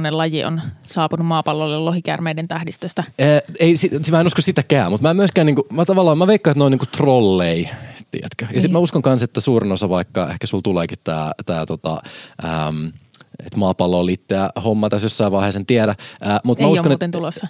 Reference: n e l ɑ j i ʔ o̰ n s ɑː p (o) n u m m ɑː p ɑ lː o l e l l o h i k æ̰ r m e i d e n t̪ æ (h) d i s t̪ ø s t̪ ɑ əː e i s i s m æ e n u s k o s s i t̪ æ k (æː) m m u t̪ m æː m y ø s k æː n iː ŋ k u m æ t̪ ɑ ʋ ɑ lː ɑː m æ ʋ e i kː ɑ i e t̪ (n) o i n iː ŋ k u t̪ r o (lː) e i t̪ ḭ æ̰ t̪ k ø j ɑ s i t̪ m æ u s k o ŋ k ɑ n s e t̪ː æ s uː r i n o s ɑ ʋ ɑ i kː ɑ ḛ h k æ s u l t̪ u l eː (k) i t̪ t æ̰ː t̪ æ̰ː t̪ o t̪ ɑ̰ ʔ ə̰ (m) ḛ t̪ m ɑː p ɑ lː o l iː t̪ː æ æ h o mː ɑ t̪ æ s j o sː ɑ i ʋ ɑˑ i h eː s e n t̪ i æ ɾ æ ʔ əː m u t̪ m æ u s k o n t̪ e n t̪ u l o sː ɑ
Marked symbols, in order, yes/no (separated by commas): no, yes, yes, yes, yes, yes, yes